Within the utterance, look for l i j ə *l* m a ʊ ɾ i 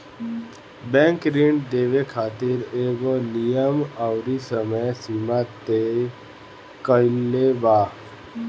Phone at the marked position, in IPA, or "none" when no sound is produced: none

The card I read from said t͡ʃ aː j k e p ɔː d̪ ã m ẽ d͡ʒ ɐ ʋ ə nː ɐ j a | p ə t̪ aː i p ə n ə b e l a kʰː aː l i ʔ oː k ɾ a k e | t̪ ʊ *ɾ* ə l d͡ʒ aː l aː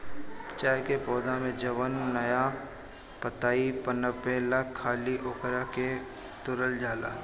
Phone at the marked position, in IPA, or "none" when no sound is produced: ɾ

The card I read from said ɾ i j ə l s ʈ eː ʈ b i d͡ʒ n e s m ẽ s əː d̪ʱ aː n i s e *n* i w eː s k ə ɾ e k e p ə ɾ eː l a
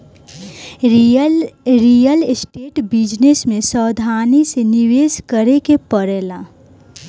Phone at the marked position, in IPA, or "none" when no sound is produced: n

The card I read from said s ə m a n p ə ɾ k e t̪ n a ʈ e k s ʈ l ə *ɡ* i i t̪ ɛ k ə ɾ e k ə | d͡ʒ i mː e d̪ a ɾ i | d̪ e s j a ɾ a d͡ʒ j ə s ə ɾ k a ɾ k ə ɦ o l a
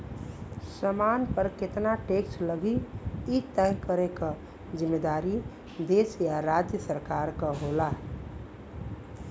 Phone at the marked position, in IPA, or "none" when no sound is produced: ɡ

